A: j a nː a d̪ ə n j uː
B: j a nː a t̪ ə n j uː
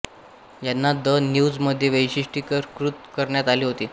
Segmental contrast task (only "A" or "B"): A